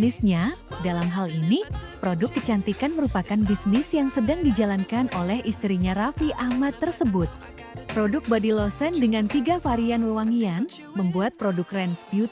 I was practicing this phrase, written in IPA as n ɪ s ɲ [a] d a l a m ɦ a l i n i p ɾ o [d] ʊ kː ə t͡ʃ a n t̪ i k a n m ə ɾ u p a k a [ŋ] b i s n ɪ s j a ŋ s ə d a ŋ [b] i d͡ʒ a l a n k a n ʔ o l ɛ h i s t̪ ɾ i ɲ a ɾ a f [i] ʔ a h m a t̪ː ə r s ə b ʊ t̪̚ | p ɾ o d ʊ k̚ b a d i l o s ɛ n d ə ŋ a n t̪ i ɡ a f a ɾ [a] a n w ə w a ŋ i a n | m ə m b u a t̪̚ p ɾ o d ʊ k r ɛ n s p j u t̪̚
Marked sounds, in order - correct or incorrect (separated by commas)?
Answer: correct, correct, incorrect, incorrect, correct, incorrect